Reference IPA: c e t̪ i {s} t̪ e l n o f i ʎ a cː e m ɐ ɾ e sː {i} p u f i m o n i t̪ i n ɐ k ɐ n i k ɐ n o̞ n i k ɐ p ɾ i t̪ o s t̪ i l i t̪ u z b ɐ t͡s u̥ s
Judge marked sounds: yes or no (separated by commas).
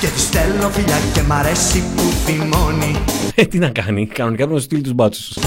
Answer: yes, yes